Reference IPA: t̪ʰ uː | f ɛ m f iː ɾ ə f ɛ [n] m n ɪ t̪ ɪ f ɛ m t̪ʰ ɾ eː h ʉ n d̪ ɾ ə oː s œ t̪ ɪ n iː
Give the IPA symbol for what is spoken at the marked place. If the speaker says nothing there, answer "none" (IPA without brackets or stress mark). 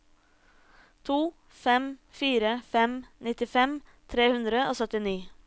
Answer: none